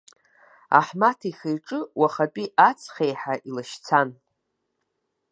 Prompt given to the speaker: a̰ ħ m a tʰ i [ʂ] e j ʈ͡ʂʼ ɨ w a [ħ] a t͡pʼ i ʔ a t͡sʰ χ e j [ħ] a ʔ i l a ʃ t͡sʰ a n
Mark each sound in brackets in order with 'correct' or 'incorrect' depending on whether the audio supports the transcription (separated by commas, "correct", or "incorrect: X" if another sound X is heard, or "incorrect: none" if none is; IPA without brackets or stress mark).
incorrect: χ, incorrect: χ, correct